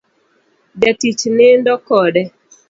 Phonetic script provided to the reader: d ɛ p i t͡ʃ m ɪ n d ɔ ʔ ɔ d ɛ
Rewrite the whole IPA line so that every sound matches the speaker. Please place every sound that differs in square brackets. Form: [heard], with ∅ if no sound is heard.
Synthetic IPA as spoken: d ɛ [t] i t͡ʃ [n] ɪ n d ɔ [k] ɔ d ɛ